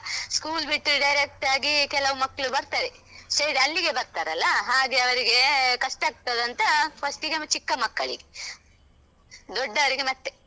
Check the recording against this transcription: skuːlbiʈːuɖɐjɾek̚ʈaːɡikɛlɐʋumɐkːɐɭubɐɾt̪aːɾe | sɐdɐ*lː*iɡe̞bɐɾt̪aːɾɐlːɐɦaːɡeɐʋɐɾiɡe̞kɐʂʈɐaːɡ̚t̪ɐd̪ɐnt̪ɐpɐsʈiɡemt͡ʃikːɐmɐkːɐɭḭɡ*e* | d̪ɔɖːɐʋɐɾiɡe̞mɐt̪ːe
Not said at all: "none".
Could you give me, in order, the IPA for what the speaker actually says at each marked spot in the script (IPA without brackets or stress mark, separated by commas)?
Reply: lː, e